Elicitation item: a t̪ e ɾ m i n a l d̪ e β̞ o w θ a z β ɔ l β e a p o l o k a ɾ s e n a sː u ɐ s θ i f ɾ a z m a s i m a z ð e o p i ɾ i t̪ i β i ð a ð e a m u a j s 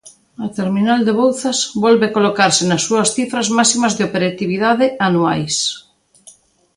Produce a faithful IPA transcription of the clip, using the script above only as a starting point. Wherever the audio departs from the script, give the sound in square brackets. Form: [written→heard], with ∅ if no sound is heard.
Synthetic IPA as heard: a t̪ e ɾ m i n a l d̪ e β̞ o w θ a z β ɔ l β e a [p→k] o l o k a ɾ s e n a sː u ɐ s θ i f ɾ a z m a s i m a z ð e o p [i→e] ɾ [i→a] t̪ i β i ð a ð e a [m→n] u a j s